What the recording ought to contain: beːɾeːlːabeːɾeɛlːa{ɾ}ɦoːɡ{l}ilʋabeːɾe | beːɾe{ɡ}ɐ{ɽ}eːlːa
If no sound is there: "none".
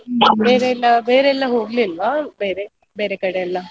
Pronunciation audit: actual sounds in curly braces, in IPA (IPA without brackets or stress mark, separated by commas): none, l, k, ɽ